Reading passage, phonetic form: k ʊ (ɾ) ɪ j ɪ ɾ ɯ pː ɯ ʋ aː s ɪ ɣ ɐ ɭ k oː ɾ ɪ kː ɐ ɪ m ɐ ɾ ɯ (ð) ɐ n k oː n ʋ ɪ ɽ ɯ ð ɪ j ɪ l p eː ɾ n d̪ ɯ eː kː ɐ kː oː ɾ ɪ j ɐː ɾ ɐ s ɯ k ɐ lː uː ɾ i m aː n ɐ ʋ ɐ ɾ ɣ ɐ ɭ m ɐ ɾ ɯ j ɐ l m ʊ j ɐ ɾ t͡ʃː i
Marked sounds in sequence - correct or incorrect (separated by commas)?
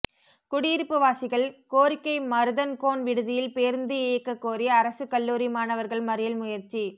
incorrect, correct